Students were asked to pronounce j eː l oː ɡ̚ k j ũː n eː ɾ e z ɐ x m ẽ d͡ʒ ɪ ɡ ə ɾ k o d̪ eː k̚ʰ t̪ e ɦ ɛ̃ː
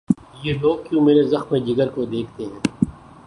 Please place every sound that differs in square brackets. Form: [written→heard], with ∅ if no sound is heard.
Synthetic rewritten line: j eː l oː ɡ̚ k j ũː [n→m] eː ɾ e z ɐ x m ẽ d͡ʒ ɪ ɡ ə ɾ k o d̪ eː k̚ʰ t̪ e ɦ ɛ̃ː